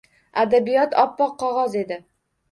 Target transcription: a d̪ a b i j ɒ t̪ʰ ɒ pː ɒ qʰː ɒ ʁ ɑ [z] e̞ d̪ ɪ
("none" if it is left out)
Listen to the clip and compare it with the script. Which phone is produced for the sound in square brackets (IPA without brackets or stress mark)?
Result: z